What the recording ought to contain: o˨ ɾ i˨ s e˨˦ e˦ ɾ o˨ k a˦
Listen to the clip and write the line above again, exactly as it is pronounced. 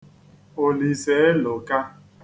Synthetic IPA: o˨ l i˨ s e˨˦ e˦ l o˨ k a˦